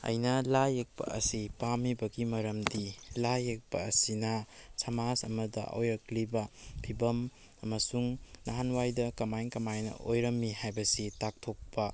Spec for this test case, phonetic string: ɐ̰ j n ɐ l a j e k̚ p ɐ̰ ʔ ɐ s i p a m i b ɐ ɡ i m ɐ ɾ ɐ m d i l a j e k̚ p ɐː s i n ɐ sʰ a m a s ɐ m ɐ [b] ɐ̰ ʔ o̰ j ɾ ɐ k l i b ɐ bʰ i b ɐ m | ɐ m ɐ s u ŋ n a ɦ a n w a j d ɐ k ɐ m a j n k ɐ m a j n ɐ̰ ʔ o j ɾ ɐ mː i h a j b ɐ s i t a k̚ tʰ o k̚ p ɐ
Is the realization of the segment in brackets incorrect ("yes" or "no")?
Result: yes